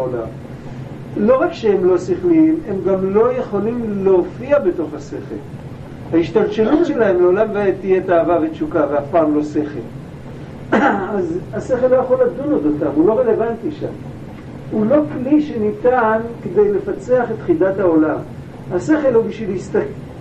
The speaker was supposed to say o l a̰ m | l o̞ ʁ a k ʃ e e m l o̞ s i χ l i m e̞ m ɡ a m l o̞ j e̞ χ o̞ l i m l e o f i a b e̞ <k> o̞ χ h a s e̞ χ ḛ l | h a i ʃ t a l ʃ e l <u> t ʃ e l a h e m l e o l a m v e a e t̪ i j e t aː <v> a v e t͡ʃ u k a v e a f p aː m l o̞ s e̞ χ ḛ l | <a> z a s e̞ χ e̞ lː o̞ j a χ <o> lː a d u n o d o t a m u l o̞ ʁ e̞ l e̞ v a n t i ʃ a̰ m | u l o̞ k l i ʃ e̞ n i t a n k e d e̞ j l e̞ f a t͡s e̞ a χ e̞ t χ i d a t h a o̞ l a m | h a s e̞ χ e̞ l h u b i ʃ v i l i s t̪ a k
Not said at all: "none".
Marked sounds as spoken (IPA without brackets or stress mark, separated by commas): t, u, v, a, o